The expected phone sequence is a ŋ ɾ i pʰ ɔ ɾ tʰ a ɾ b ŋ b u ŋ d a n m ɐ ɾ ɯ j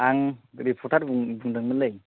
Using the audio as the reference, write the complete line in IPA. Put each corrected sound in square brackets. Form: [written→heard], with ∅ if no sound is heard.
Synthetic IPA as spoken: a ŋ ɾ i pʰ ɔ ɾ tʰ a ɾ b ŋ b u ŋ d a [n→ŋ] m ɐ [ɾ→l] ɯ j